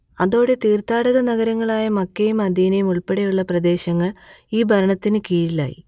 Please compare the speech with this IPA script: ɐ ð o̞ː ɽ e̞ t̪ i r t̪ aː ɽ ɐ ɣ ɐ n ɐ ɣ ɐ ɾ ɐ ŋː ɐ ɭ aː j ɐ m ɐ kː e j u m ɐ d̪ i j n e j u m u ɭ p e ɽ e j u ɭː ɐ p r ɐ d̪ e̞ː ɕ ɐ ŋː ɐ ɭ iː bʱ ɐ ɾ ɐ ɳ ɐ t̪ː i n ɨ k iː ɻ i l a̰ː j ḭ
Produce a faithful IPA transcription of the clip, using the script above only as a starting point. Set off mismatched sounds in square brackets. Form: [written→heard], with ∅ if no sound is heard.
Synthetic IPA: ɐ ð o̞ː ɽ e̞ t̪ [i→iː] r t̪ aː ɽ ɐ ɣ ɐ n ɐ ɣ ɐ ɾ ɐ ŋː ɐ ɭ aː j ɐ m ɐ kː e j u m ɐ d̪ i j n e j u m u ɭ p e ɽ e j u ɭː ɐ p r ɐ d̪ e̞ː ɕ ɐ ŋː ɐ ɭ iː bʱ ɐ ɾ ɐ ɳ ɐ t̪ː i n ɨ k iː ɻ i l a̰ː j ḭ